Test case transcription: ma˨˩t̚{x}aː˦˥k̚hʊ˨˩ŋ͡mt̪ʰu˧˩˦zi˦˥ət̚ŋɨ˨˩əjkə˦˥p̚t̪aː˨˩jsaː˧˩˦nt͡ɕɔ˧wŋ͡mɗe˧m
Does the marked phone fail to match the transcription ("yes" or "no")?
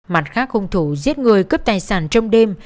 no